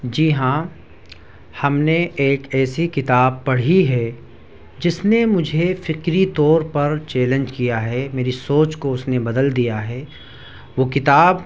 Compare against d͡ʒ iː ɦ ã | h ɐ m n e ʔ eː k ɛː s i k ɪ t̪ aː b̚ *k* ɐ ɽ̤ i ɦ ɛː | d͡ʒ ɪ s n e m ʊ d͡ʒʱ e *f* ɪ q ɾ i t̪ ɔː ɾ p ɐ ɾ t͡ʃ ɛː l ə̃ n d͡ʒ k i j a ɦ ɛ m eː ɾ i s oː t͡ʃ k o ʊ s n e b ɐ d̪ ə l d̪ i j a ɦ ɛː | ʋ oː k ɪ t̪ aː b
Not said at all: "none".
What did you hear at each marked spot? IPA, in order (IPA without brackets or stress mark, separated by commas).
p, f